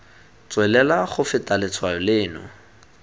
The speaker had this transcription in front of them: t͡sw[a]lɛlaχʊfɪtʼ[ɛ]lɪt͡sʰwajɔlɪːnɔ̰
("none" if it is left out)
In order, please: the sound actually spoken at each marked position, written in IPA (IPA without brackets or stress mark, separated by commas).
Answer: ɛ, a